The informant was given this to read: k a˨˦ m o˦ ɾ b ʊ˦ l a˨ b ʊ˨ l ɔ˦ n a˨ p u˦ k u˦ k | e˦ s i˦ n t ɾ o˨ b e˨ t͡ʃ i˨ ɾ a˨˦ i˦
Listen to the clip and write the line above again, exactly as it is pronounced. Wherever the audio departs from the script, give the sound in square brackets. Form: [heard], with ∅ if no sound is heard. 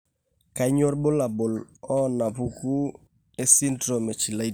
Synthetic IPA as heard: k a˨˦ [ɲ] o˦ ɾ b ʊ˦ l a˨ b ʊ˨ l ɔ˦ n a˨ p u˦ k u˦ [∅] | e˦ s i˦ n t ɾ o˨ [m] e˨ t͡ʃ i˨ [l] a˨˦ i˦